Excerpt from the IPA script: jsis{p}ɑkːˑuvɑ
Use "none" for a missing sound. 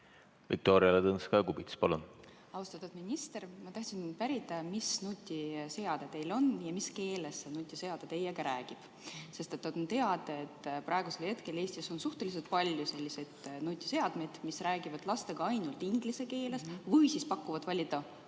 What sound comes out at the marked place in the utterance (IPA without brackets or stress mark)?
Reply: p